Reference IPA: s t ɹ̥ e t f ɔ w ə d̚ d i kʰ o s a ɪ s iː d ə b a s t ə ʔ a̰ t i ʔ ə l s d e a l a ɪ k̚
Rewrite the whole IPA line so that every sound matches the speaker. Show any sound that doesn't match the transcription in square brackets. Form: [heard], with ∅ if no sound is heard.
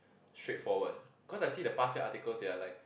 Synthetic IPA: s t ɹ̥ e t f ɔ w ə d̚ [b] i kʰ [ɔ] s a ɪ s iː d ə [p] a s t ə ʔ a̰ t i [k] ə l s d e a l a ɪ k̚